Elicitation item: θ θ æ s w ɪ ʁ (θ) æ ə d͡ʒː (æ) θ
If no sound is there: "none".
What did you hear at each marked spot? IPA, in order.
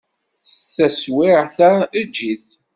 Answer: θ, i

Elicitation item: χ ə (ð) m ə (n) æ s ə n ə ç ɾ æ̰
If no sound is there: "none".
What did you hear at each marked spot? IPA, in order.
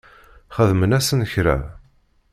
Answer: ð, n

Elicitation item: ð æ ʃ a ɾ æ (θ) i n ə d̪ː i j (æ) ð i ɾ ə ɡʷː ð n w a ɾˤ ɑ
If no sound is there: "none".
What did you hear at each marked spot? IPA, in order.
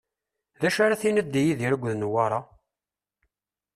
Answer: θ, i

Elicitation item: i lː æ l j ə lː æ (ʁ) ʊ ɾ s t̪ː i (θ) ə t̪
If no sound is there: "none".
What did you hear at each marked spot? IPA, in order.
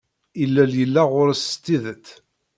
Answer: ʁ, ð

